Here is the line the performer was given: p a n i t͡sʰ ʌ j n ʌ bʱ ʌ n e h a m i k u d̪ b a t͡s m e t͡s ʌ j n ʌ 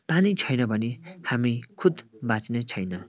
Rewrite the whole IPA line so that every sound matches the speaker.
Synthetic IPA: p a n i t͡sʰ ʌ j n ʌ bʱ ʌ n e h a m i kʰ u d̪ b a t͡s n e t͡sʰ ʌ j n ʌ